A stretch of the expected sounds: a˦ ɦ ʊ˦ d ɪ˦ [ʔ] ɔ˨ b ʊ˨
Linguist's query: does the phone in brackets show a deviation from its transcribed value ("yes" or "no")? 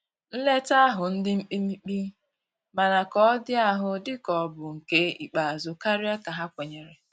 yes